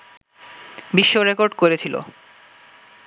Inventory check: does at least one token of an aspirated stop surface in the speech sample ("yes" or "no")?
yes